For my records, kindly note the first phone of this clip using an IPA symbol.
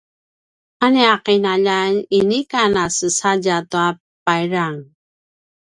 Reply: a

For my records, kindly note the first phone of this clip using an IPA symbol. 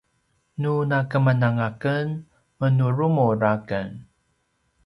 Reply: n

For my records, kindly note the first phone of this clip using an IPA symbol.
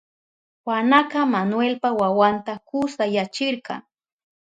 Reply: w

